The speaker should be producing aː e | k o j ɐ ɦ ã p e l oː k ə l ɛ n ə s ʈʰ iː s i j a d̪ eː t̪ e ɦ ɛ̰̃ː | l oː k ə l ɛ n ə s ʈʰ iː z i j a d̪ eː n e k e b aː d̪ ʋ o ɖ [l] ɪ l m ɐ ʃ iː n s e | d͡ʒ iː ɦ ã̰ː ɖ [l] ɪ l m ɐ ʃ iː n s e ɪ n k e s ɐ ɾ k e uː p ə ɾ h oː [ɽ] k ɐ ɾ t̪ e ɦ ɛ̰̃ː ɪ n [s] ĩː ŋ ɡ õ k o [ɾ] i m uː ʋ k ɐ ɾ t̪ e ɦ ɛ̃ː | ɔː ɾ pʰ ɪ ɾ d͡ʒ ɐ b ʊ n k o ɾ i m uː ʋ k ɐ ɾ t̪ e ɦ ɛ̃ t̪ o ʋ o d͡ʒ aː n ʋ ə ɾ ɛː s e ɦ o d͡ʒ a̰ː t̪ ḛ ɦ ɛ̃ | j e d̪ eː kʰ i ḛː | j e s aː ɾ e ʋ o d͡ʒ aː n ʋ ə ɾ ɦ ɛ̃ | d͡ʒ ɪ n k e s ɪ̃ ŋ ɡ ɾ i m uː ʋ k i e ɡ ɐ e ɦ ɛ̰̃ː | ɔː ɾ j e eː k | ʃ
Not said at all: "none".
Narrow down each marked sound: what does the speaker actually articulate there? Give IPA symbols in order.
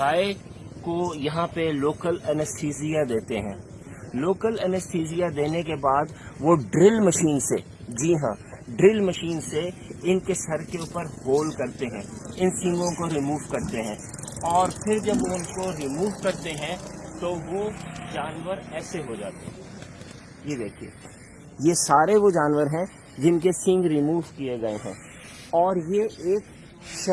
ɾ, ɾ, l, s, ɾ

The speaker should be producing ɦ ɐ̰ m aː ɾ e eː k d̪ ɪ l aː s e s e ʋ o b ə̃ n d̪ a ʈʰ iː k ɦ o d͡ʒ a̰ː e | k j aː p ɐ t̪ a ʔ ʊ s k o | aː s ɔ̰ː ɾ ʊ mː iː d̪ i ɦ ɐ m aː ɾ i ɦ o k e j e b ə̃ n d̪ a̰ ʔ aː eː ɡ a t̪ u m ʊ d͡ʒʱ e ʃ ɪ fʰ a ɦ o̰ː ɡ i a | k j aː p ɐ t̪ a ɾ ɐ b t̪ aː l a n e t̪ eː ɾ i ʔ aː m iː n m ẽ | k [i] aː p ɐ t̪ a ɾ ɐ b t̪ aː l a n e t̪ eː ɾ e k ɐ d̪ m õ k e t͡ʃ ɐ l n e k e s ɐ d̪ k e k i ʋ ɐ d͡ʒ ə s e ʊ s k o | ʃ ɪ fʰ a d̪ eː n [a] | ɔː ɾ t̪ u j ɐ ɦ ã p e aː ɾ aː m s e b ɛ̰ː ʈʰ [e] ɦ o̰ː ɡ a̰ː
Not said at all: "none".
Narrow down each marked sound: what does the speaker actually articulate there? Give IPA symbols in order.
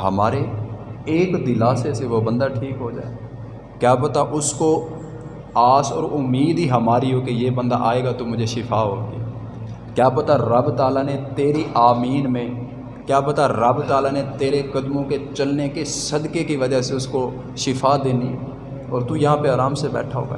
j, i, a

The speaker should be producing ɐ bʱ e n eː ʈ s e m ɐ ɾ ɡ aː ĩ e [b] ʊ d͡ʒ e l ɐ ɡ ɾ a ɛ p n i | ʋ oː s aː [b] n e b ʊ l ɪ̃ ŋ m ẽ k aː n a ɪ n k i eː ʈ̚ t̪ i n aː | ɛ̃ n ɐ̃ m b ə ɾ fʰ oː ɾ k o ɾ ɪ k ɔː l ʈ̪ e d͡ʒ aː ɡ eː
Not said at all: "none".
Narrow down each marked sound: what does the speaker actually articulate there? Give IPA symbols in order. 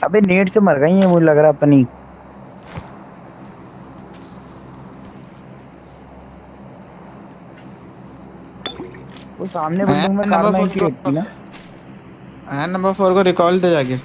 m, m

